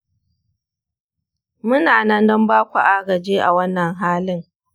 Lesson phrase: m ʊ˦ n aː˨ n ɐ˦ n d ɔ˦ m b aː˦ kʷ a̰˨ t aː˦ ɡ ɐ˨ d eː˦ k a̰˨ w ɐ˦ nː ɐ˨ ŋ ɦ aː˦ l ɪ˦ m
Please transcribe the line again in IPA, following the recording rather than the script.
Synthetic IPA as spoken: m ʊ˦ n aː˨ n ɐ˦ n d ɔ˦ m b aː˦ kʷ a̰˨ ʔ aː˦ ɡ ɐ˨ d͡ʒ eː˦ ʔ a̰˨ w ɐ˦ nː ɐ˨ ŋ ɦ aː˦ l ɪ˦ ŋ

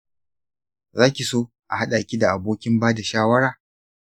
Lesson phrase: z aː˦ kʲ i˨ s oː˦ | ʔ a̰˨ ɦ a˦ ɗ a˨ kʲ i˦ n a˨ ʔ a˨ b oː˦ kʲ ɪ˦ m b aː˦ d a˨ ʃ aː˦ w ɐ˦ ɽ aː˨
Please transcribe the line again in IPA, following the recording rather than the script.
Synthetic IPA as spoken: z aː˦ kʲ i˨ s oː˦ | ʔ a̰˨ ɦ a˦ ɗ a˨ kʲ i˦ d a˨ ʔ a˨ b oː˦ kʲ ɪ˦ m b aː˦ d a˨ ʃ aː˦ w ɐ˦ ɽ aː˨

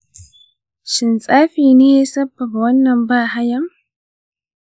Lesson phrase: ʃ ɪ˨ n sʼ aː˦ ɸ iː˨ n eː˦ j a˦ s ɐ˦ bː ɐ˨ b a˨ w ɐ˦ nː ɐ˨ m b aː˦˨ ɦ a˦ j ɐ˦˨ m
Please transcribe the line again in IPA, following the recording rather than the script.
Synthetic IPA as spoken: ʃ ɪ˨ n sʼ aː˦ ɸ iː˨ n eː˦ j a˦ s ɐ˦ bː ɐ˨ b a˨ w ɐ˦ nː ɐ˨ m b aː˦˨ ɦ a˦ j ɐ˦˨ m

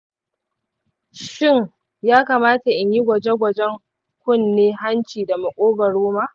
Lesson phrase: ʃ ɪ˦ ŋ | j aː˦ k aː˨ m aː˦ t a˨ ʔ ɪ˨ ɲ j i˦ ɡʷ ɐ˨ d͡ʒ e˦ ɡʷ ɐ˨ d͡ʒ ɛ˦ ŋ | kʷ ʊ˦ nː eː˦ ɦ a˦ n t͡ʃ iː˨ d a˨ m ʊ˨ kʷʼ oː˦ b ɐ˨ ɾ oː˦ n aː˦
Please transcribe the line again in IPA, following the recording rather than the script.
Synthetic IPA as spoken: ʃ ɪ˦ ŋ | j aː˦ k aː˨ m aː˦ t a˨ ʔ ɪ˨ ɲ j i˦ ɡʷ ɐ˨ d͡ʒ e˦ ɡʷ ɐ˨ d͡ʒ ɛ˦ ŋ | kʷ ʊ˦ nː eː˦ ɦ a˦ n t͡ʃ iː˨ d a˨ m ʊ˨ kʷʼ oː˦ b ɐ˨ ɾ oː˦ m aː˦

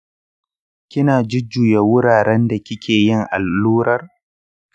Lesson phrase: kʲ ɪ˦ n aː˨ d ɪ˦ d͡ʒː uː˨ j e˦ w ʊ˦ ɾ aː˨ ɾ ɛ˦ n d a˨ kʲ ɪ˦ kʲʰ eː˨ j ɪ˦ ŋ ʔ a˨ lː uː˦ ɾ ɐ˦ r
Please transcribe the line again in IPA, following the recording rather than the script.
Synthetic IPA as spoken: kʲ ɪ˦ n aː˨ d͡ʒ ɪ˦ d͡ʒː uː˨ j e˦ w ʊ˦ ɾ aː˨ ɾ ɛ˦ n d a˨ kʲ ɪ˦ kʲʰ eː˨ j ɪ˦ ŋ ʔ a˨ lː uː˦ ɾ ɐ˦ r

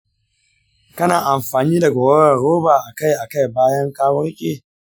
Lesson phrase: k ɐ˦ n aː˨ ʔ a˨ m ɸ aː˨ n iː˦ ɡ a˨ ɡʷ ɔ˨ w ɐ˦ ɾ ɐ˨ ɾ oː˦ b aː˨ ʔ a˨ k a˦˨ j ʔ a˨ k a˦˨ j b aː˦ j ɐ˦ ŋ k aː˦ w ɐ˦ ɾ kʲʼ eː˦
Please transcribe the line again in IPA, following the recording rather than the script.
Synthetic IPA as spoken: k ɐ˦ n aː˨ ʔ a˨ m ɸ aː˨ n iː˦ d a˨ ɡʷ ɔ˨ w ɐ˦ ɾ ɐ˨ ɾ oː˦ b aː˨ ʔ a˨ k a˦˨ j ʔ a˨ k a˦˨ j b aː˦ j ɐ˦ ŋ k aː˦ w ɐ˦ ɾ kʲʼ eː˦

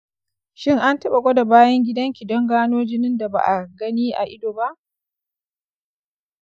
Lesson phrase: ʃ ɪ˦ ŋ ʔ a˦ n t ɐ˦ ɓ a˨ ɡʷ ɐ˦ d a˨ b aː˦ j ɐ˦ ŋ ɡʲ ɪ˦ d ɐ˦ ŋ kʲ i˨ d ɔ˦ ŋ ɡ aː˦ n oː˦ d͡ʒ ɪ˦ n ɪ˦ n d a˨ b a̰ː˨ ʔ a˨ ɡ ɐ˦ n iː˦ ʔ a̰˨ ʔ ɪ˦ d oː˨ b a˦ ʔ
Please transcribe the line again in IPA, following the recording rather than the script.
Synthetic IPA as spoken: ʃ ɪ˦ ŋ ʔ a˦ n t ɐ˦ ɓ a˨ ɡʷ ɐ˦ d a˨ b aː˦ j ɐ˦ ŋ ɡʲ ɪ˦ d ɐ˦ ŋ kʲ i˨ d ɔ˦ ŋ ɡ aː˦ n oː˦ d͡ʒ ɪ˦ n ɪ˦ n d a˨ b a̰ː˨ ʔ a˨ ɡ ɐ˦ n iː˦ ʔ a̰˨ ʔ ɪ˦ d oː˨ b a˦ ʔ

